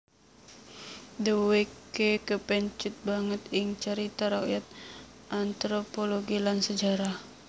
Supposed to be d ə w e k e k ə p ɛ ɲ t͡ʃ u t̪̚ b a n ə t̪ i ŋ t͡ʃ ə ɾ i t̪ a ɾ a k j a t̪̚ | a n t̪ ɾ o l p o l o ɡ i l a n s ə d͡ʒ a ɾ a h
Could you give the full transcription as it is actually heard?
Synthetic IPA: d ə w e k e k ə p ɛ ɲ t͡ʃ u t̪̚ b a ŋ ə t̪ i ŋ t͡ʃ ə ɾ i t̪ a ɾ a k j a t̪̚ | a n t̪ ɾ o p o l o ɡ i l a n s ə d͡ʒ a ɾ a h

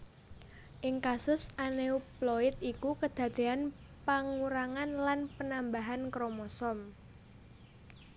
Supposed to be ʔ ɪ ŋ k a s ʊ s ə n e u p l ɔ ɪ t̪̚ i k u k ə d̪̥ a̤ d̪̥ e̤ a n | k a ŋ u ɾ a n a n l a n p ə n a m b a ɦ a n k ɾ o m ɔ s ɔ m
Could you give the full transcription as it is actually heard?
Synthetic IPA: ʔ ɪ ŋ k a s ʊ s a n e u p l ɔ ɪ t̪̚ i k u k ə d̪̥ a̤ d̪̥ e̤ a n | p a ŋ u ɾ a ŋ a n l a n p ə n a m b a ɦ a n k ɾ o m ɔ s ɔ m

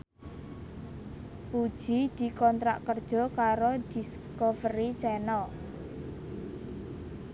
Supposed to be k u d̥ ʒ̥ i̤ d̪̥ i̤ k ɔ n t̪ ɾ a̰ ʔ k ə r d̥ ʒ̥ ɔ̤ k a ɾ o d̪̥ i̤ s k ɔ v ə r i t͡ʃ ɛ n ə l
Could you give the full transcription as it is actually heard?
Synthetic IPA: p u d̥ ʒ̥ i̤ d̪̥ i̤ k ɔ n t̪ ɾ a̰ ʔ k ə r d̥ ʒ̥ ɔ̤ k a ɾ o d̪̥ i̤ s k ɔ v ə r i t͡ʃ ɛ n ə l

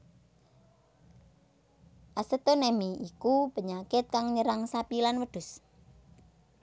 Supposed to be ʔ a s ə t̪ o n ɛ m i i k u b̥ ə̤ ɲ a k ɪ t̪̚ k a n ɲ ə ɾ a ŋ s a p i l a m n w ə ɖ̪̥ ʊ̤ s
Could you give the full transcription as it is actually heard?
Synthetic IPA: ʔ a s ə t̪ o n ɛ m i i k u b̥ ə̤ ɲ a k ɪ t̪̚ k a ŋ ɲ ə ɾ a ŋ s a p i l a n w ə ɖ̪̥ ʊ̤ s

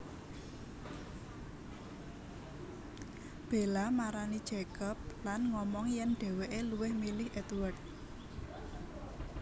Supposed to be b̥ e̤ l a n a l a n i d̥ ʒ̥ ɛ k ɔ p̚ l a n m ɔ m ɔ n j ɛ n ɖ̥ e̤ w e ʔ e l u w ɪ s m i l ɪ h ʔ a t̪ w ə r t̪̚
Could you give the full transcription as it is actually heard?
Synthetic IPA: b̥ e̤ l a m a ɾ a n i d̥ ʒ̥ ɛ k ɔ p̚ l a n ŋ ɔ m ɔ ŋ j ɛ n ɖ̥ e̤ w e ʔ e l u w ɪ h m i l ɪ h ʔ ɛ t̪ w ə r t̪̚

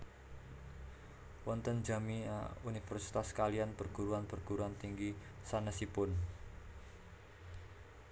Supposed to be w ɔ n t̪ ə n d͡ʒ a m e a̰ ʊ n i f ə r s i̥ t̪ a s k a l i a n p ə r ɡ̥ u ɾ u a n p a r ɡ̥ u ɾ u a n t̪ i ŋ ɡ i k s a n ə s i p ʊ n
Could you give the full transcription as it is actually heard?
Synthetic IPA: w ɔ n t̪ ə n d͡ʒ a m i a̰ u n i f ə r s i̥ t̪ a s k a l i a n p ə r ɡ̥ u ɾ u a n p ə r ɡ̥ u ɾ u a n t̪ i ŋ ɡ i s a n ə s i p ʊ n

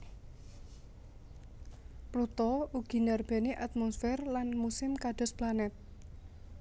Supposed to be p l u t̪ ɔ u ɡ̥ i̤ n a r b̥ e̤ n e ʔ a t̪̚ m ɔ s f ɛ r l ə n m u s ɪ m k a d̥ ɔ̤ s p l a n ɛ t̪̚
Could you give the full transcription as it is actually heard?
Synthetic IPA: p l u t̪ ɔ u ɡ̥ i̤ n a r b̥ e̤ n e ʔ a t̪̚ m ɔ s f ɛ r l a n m u s ɪ m k a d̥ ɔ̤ s p l a n ɛ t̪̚

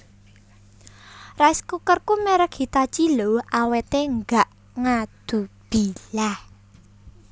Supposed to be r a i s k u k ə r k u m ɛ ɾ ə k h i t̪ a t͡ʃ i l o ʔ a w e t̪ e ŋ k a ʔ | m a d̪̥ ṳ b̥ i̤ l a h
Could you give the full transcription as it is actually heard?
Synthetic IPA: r a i s k u k ə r k u m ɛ ɾ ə k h i t̪ a t͡ʃ i l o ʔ a w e t̪ e ŋ ɡ a ʔ | ŋ a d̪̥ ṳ b̥ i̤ l a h

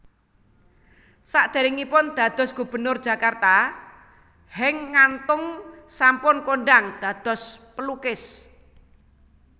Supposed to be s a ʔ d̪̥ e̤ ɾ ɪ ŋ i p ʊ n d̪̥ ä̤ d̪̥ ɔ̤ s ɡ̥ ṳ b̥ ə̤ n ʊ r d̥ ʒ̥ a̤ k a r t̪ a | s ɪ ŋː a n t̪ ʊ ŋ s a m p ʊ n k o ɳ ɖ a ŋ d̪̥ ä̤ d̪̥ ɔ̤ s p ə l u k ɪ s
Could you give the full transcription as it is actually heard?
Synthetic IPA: s a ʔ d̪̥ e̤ ɾ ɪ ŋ i p ʊ n d̪̥ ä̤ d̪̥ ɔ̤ s ɡ̥ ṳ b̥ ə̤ n ʊ r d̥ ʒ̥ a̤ k a r t̪ a | h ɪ ŋː a n t̪ ʊ ŋ s a m p ʊ n k o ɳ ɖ a ŋ d̪̥ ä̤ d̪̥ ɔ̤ s p ə l u k ɪ s

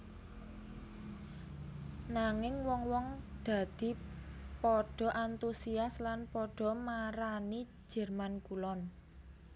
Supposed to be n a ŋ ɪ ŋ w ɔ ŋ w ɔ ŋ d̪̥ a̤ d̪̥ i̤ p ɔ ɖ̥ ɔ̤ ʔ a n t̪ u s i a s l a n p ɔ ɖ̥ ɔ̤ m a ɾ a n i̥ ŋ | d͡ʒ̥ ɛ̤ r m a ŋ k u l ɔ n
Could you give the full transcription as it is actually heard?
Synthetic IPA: n a ŋ ɪ ŋ w ɔ ŋ w ɔ ŋ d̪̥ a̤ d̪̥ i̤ p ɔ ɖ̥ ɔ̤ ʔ a n t̪ u s i a s l a n p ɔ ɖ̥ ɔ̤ m a ɾ a n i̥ | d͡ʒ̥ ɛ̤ r m a n k u l ɔ n

